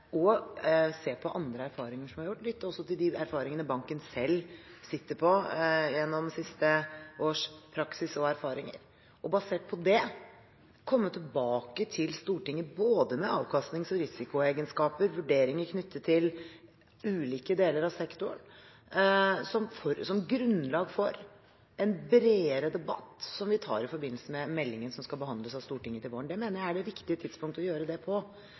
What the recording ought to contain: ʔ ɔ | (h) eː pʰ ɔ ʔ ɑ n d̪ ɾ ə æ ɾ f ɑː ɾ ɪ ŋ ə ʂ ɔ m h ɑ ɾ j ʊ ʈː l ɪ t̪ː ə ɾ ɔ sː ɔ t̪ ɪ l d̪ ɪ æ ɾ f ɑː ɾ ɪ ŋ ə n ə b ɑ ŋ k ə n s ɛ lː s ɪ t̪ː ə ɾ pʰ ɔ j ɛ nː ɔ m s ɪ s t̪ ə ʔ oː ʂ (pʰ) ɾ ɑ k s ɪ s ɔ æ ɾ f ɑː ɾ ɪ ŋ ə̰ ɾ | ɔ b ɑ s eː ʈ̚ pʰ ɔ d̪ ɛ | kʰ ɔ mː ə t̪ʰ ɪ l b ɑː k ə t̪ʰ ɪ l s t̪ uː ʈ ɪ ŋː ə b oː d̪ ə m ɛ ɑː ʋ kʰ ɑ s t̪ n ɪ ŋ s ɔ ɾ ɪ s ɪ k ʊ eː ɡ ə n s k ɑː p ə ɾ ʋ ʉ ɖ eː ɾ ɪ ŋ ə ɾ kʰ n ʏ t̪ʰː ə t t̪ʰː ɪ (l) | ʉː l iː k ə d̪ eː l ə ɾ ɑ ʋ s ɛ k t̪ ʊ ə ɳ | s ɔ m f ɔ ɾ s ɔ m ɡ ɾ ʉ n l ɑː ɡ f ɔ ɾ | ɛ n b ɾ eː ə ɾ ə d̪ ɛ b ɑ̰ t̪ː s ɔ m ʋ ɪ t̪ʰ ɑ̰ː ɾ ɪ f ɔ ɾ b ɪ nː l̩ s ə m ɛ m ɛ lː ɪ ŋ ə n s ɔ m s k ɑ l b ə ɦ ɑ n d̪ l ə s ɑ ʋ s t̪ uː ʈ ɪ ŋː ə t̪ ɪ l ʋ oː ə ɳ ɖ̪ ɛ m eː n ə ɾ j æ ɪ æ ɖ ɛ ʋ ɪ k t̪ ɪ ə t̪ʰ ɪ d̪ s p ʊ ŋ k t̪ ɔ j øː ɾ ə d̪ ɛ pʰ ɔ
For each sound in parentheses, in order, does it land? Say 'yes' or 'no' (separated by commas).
no, yes, yes